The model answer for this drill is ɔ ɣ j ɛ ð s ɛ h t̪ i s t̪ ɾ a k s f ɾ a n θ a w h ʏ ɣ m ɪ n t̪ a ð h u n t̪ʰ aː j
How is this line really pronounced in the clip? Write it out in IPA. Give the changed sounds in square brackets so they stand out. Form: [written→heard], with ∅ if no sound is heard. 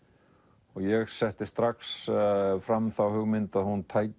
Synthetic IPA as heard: ɔ ɣ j ɛ [ð→ɣ] s ɛ h t̪ [i→ɪ] s t̪ ɾ a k s f ɾ a [n→m] θ a w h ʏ ɣ m ɪ n t̪ a ð h u n t̪ʰ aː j